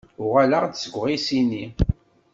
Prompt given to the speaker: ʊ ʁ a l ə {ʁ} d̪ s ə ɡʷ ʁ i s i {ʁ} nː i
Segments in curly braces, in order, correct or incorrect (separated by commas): correct, incorrect